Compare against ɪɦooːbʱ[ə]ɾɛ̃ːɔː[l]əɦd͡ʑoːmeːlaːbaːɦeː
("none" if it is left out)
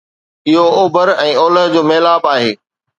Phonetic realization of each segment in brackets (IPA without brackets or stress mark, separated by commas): ə, l